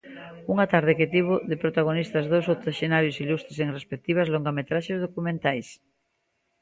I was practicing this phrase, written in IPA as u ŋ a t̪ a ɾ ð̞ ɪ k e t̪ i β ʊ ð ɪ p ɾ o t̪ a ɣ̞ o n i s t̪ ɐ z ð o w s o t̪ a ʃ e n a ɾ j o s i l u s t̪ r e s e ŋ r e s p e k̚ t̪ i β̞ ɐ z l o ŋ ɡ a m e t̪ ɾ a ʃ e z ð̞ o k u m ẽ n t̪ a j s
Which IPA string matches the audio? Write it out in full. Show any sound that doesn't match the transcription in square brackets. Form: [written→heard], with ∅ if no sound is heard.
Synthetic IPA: u ŋ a t̪ a ɾ ð̞ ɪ k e t̪ i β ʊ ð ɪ p ɾ o t̪ a ɣ̞ o n i s t̪ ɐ z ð o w s o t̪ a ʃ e n a ɾ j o s i l u s t̪ [r→ɾ] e s e ŋ r e s p e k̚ t̪ i β̞ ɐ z l o ŋ ɡ a m e t̪ ɾ a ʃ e z ð̞ o k u m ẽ n t̪ a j s